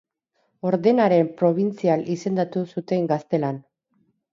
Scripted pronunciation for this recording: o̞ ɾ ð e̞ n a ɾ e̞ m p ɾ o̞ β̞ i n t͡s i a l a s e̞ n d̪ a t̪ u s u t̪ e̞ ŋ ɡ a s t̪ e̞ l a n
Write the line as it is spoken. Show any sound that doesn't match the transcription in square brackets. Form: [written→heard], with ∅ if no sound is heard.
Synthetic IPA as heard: o̞ ɾ ð e̞ n a ɾ e̞ m p ɾ o̞ β̞ i n t͡s i a l [a→i] s e̞ n d̪ a t̪ u s u t̪ e̞ ŋ ɡ a s t̪ e̞ l a n